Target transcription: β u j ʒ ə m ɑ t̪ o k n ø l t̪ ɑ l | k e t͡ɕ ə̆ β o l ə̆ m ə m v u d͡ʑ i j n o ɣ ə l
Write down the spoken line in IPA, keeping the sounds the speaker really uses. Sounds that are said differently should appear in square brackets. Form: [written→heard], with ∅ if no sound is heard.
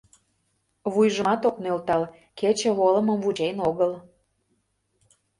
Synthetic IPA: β u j ʒ ə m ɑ t̪ o k n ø l t̪ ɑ l | k e t͡ɕ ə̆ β o l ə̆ m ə m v u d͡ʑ [i→e] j n o ɣ ə l